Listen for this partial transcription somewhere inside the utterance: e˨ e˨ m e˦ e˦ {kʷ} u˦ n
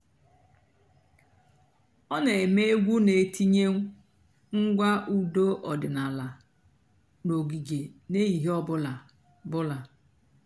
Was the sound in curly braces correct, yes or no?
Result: no